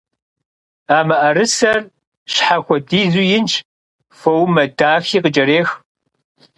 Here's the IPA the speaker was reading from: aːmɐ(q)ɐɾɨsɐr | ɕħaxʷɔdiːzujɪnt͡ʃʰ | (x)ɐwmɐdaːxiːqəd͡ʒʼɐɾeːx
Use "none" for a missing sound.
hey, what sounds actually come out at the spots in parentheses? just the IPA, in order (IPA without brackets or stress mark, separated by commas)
ʔ, f